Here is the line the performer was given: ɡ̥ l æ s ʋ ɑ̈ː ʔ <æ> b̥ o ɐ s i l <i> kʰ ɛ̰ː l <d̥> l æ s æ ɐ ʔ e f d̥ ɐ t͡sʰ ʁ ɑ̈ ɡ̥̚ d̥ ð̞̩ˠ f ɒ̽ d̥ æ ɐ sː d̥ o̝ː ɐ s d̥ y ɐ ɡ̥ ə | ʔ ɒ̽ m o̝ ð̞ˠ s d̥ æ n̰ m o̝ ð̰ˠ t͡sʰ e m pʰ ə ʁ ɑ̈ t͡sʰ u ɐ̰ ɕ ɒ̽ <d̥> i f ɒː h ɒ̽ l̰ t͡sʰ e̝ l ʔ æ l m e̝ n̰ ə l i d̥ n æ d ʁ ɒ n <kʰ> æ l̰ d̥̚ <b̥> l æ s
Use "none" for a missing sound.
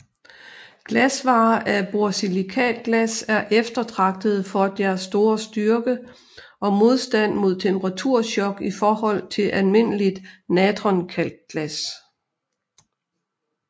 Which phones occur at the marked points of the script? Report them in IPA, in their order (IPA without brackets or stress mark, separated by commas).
æ, i, ɡ̥, ɡ̥, kʰ, ɡ̥